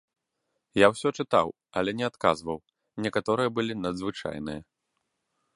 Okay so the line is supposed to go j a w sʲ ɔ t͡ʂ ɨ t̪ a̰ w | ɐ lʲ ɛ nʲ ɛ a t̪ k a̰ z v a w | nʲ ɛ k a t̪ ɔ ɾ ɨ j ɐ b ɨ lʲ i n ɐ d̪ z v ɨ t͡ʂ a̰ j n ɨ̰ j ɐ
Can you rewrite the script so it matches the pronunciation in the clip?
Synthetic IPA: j a w sʲ ɔ t͡ʂ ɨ t̪ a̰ w | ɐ lʲ ɛ nʲ ɛ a t̪ k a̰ z v ɐ w | nʲ ɛ k a t̪ ɔ ɾ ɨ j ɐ b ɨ lʲ i n ɐ d̪ z v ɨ t͡ʂ a̰ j n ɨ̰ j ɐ